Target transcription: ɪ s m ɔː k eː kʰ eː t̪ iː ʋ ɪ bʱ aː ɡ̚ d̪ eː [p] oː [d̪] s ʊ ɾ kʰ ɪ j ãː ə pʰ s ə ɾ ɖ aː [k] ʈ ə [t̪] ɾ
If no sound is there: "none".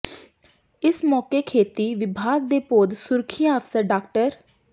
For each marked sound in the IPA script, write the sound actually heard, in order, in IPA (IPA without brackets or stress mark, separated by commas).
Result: p, d̪, k, none